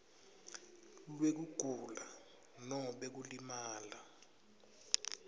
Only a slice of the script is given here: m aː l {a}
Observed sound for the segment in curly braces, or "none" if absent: a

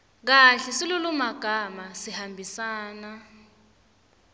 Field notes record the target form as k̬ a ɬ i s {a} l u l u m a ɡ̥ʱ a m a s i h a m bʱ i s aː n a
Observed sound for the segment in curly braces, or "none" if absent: i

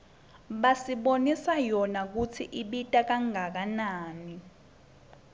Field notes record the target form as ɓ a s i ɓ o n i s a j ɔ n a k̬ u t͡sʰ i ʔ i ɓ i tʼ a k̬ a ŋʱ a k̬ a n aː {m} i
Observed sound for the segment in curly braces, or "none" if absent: n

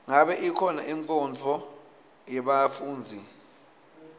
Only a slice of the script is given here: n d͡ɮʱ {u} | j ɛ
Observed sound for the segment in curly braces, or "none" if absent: ɔ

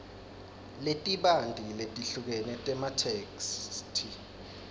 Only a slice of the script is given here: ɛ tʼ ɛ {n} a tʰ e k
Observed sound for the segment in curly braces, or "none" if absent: m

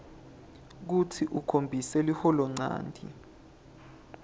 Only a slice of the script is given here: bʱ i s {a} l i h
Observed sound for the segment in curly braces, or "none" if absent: ɛ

